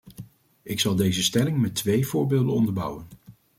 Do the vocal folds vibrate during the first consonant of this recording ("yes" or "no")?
no